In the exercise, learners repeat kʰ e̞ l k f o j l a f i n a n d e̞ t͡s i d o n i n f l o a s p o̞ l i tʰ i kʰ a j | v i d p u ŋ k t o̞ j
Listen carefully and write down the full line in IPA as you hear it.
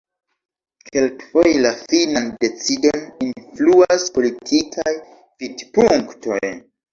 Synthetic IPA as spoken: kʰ e̞ l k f o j l a f i n a n d e̞ t͡s i d o n i n f l u a s p o̞ l i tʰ i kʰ a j | v i d p u ŋ k t o̞ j